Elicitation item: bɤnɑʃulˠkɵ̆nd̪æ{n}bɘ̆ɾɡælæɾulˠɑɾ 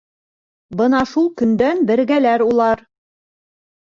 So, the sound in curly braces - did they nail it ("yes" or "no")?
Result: yes